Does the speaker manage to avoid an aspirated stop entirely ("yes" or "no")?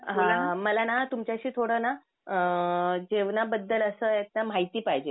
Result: no